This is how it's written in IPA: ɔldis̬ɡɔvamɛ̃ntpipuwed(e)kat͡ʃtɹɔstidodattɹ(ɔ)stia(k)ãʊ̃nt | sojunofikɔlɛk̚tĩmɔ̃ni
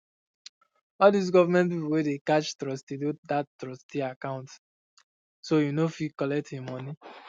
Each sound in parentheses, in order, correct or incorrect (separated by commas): correct, correct, correct